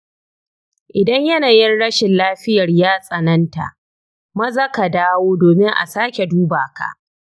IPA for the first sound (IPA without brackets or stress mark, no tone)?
ʔ